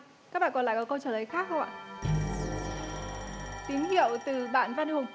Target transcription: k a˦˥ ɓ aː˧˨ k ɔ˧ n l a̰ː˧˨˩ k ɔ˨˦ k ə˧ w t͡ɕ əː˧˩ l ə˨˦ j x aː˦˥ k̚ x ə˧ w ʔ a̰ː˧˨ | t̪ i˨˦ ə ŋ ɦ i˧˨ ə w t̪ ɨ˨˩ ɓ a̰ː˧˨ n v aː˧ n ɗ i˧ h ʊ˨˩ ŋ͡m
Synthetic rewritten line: k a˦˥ ɓ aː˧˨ k ɔ˨˩ n l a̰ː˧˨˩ k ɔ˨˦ k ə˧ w t͡ɕ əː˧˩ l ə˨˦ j x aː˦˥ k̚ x ə˧ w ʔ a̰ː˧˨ | t̪ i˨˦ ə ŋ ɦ i˧˨ ə w t̪ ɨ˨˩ ɓ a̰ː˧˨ n v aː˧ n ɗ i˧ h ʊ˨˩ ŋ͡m